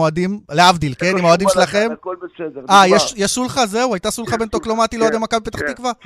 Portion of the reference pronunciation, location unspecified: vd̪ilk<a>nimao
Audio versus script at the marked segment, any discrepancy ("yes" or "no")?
yes